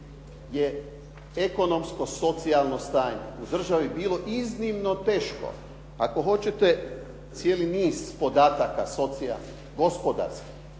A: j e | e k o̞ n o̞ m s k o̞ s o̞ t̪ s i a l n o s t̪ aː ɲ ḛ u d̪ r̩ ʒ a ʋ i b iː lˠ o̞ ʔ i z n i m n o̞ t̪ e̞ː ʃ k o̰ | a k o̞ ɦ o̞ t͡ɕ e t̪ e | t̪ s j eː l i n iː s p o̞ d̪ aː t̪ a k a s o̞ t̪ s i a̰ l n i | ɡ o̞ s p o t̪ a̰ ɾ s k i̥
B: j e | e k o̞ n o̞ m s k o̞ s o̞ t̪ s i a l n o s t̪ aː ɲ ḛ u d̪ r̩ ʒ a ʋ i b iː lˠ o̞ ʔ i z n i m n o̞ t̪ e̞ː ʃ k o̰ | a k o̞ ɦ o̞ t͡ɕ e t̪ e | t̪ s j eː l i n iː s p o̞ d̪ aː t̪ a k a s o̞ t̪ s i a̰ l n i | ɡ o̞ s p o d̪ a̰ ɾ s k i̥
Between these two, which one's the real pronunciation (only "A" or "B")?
B